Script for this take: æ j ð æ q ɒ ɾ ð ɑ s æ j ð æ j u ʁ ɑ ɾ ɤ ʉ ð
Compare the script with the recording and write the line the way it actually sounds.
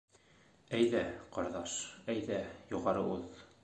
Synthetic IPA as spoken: æ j ð æ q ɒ ɾ ð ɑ ʃ æ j ð æ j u ʁ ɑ ɾ ɤ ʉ ð